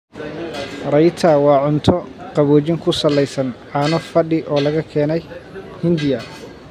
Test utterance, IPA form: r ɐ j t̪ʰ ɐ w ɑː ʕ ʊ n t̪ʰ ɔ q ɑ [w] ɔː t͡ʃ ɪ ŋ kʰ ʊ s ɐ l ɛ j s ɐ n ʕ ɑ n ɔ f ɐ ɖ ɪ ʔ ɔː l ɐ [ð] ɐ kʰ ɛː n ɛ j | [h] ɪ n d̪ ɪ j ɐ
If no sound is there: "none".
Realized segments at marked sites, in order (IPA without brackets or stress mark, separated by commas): β, ɣ, h